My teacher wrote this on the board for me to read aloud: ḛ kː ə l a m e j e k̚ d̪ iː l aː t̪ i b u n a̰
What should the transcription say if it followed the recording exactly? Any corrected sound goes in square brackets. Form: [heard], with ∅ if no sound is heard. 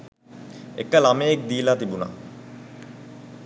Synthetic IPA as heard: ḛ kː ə l a m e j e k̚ d̪ iː l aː t̪ i b u n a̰